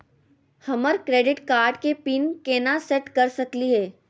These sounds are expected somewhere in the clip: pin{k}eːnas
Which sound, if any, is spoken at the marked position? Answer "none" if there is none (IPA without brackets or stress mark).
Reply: k